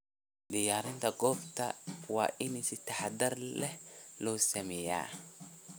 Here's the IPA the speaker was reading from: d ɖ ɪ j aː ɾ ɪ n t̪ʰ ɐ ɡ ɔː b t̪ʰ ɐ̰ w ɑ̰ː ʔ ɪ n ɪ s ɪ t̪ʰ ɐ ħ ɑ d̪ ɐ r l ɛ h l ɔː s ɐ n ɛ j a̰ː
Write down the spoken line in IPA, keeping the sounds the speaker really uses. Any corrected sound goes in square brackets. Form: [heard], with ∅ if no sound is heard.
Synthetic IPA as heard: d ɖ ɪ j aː ɾ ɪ n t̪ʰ ɐ ɡ ɔː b t̪ʰ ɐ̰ w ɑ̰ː ʔ ɪ n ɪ s ɪ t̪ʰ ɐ ħ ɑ d̪ ɐ r l ɛ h l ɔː s ɐ [m] ɛ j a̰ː